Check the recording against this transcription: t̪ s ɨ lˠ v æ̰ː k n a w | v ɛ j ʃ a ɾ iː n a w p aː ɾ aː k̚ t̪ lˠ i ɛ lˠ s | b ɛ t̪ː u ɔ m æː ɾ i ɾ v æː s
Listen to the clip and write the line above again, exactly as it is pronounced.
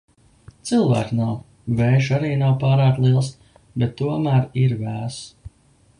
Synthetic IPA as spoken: t̪ s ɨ lˠ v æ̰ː k n a w | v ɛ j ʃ a ɾ iː n a w p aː ɾ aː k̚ t̪ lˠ i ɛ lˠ s | b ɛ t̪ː u ɔ m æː ɾ i ɾ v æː s